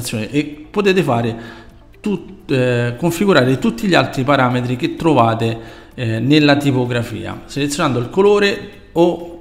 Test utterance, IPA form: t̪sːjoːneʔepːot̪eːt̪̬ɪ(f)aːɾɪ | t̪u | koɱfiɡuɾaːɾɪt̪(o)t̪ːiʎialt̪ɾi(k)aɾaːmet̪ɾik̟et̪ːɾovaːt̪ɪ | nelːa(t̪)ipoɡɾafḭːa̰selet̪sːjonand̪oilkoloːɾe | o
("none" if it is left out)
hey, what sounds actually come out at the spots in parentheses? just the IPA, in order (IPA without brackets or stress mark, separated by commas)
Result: f, u, p, t̪